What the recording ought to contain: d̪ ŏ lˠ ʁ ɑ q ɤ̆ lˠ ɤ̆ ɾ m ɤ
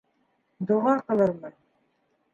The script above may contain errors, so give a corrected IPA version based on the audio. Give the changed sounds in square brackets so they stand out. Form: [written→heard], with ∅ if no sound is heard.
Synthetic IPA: d̪ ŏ [lˠ→∅] ʁ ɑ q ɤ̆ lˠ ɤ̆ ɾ m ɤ